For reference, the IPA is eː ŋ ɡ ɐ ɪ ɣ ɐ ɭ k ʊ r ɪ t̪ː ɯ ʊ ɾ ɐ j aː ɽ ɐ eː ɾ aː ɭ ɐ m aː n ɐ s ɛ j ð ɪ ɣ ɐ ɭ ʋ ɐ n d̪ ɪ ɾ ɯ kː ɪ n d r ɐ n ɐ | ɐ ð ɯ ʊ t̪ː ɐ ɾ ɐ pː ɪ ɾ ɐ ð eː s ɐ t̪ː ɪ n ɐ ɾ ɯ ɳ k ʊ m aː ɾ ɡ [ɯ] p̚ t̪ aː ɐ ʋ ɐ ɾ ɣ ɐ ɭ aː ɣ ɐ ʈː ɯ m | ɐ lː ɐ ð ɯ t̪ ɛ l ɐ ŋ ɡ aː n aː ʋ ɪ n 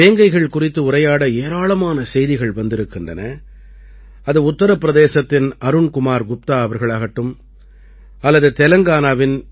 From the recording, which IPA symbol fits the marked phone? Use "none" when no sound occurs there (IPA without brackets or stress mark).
ʊ